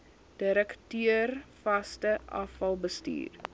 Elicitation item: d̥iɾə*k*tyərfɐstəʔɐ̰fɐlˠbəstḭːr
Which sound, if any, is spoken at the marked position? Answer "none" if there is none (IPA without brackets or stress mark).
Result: k